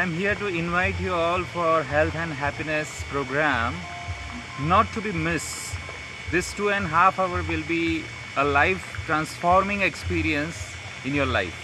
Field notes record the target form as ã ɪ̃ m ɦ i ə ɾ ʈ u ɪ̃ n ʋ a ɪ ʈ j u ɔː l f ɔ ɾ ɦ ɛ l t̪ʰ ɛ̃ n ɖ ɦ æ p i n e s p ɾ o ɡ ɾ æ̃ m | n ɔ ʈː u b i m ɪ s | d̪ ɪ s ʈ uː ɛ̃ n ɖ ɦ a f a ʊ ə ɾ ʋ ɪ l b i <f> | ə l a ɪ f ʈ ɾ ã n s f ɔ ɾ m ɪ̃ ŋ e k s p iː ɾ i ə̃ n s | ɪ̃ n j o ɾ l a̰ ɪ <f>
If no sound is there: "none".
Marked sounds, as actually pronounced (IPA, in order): none, f

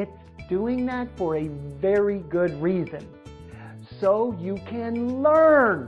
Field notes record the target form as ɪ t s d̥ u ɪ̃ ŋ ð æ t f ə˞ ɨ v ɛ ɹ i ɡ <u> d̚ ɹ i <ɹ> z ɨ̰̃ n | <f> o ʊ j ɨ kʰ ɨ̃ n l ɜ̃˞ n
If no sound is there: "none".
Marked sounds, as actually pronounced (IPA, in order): ʊ, none, s

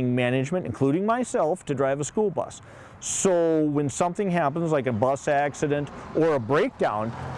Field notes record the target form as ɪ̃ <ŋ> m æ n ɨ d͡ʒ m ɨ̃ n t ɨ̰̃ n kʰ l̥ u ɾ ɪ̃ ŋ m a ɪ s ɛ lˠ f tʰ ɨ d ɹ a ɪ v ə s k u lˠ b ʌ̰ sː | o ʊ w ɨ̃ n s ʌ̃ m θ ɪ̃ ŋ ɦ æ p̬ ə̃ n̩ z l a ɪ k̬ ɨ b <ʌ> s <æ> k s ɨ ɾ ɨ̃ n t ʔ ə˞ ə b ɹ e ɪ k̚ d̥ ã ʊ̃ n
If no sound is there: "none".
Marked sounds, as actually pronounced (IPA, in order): ŋ, ʌ, æ

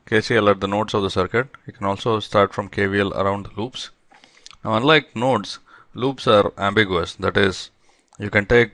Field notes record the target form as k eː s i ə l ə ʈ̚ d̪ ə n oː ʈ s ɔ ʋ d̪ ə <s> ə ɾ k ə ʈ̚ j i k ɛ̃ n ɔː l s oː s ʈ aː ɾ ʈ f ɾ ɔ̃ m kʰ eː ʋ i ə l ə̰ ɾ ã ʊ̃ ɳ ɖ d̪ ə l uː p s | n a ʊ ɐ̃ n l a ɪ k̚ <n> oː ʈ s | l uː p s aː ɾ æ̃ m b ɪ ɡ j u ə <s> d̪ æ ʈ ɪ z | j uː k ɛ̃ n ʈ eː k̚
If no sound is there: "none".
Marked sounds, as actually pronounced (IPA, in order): s, n, s

